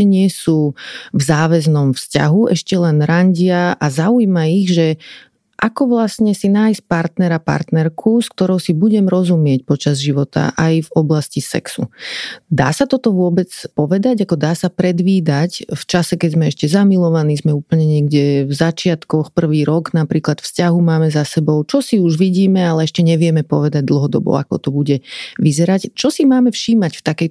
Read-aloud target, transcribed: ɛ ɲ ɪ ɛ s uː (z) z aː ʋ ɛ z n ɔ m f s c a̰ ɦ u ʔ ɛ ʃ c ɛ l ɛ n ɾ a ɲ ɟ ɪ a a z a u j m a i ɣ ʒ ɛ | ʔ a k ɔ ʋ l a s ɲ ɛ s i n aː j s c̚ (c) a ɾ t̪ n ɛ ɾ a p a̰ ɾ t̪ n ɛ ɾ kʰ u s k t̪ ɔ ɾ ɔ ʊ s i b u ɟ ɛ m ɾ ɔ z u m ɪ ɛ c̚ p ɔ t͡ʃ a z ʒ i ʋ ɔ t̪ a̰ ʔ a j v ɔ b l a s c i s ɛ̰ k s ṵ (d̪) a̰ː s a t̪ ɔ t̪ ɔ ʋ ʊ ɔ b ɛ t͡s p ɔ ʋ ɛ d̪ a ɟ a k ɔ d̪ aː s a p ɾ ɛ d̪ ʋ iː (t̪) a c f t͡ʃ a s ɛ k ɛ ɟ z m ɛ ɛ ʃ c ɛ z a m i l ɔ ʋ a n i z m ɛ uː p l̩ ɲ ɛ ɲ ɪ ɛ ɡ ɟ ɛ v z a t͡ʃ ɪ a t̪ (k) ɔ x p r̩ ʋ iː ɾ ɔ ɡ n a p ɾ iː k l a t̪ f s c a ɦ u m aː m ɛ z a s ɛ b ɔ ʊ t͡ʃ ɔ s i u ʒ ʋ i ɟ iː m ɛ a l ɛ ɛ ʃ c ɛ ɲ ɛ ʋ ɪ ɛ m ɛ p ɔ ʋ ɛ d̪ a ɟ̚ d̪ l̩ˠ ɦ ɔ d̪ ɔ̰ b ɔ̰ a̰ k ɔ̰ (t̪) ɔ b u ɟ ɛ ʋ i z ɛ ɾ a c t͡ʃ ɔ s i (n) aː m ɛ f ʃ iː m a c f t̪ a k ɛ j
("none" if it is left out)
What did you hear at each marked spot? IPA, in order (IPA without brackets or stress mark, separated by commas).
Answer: v, p, d̪, d̪, k, t̪, m